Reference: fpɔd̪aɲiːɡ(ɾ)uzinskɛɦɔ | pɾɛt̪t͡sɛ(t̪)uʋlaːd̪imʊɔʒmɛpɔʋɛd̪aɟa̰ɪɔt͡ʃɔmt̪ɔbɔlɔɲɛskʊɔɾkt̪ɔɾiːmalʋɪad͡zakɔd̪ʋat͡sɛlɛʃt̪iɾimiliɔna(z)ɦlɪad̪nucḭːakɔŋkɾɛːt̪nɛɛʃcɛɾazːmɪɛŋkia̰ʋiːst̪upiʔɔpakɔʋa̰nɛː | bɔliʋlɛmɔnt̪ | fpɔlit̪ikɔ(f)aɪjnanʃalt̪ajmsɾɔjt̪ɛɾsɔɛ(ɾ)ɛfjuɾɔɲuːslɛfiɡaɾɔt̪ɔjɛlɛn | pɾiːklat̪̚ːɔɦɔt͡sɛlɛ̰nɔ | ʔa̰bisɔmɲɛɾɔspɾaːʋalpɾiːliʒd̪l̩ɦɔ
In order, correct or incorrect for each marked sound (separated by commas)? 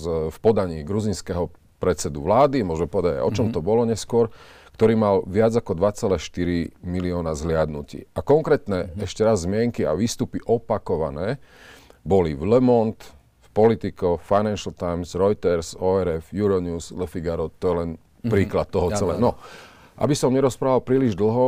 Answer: correct, incorrect, correct, correct, correct